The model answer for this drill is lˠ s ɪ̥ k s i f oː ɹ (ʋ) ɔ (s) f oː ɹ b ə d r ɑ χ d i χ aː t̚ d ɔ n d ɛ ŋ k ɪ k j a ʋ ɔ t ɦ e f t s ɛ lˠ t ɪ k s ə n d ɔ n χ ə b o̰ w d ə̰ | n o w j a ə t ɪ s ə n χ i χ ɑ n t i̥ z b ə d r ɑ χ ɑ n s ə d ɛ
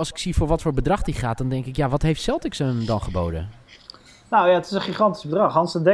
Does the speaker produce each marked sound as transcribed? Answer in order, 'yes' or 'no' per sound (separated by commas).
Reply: yes, no